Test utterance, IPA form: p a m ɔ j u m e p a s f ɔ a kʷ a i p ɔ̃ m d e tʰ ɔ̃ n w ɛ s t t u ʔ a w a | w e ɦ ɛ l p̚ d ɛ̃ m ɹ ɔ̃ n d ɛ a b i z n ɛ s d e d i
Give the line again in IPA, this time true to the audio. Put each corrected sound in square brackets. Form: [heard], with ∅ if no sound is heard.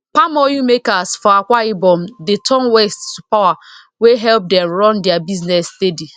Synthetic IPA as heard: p a m ɔ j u m e [k] a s f ɔ a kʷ a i [b] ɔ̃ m d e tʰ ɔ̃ n w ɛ s t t u [p] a w a | w e ɦ ɛ l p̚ d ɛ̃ m ɹ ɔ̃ n d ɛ a b i z n ɛ s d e d i